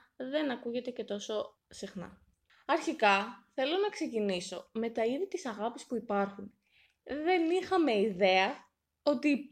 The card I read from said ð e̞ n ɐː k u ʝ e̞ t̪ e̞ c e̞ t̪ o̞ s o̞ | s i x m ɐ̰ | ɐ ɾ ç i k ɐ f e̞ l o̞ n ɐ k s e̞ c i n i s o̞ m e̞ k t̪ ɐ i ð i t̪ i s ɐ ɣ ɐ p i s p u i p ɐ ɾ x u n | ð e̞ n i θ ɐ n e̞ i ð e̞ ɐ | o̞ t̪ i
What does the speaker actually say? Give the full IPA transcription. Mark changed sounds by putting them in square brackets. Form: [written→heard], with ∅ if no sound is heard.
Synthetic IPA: ð e̞ n [ɐː→ɐ] k u ʝ e̞ t̪ e̞ c e̞ t̪ o̞ s o̞ | s i x [m→n] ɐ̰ | ɐ ɾ ç i k ɐ [f→θ] e̞ l o̞ n ɐ k s e̞ c i n i s o̞ m e̞ [k→∅] t̪ ɐ i ð i t̪ i s ɐ ɣ ɐ p i s p u i p ɐ ɾ x u n | ð e̞ n i [θ→x] ɐ [n→m] e̞ i ð e̞ ɐ | o̞ t̪ i